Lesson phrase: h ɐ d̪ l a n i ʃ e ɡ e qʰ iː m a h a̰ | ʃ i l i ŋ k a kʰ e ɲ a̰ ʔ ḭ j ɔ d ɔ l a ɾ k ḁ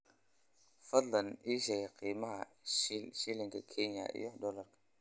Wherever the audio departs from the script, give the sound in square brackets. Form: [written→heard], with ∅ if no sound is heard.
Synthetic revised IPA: [h→f] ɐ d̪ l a n i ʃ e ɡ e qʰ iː m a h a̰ | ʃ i l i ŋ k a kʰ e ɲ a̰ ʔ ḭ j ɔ d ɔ l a ɾ k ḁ